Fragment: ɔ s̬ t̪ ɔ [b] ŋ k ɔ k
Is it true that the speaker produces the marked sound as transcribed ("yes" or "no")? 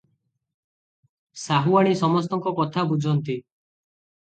no